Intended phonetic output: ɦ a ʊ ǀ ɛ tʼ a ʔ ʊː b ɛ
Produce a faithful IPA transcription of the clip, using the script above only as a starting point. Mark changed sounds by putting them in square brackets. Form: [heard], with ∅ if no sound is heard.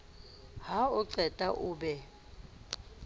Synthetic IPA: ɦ a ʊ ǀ ɛ tʼ a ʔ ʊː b ɛ